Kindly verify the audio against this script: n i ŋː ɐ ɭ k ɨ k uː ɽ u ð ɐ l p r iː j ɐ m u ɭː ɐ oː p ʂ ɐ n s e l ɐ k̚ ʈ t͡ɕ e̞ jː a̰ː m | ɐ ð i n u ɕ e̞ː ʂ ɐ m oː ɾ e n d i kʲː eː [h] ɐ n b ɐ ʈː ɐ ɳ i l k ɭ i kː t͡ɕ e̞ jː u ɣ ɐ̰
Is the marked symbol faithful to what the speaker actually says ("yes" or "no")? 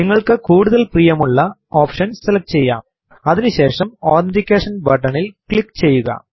no